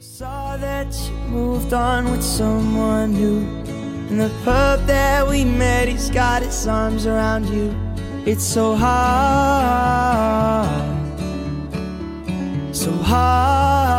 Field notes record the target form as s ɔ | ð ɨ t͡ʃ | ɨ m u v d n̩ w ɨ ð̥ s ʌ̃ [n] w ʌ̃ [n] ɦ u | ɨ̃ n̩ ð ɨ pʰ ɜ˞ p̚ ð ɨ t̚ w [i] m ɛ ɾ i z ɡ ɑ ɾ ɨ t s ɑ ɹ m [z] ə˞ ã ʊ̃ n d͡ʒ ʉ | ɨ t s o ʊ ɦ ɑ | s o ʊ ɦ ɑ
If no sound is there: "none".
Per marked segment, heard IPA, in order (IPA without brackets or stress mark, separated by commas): m, n, i, z